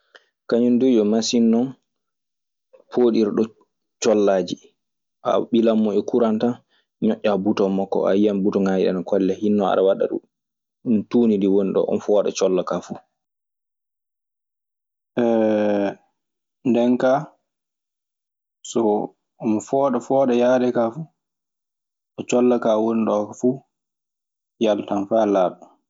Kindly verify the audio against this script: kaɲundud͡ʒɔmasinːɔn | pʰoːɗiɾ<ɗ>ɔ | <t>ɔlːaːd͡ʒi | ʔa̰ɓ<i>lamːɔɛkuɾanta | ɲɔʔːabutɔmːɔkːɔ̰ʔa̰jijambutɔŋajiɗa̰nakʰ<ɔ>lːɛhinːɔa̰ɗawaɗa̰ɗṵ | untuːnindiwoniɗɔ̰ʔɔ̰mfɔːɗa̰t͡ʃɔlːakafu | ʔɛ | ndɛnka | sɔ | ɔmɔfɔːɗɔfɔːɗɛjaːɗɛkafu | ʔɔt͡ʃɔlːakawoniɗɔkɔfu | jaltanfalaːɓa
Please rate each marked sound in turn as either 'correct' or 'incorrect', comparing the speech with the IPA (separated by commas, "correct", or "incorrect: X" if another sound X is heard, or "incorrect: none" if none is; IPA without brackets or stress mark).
correct, incorrect: t͡ʃ, correct, correct